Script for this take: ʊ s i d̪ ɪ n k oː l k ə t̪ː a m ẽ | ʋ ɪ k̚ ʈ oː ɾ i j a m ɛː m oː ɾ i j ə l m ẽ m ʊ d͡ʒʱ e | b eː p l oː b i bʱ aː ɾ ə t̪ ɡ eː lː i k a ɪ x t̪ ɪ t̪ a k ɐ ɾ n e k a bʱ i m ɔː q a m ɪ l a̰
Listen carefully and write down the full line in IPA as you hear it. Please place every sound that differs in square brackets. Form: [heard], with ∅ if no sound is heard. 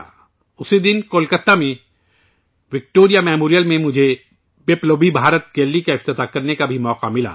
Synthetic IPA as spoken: ʊ s i d̪ ɪ n k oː l k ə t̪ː a m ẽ | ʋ ɪ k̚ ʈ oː ɾ i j a m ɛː m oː ɾ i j ə l m ẽ m ʊ d͡ʒʱ e | b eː p l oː b i bʱ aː ɾ ə t̪ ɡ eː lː i k a ɪ [f] t̪ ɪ t̪ a k ɐ ɾ n e k a bʱ i m ɔː q a m ɪ l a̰